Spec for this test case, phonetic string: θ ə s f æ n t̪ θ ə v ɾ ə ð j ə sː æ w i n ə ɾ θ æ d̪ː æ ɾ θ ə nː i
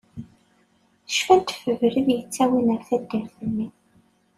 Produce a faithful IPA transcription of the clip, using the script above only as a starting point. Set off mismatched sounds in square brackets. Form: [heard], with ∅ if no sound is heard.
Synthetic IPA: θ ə [ʃ] f æ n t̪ [f] ə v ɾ ə ð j ə [t͡sː] æ w i n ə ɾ θ æ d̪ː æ ɾ θ ə nː i